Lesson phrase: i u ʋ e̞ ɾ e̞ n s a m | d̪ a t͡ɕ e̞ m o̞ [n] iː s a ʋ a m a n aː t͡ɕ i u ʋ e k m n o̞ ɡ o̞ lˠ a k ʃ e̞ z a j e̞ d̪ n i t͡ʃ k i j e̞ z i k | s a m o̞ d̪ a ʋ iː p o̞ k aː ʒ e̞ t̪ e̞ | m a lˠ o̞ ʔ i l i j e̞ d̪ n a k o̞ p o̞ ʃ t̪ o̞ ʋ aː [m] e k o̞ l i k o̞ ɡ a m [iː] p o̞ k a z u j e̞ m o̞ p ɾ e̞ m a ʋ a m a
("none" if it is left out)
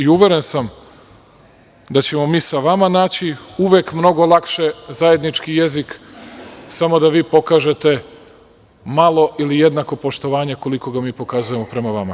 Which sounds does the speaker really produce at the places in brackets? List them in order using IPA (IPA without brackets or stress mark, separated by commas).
m, ɲ, iː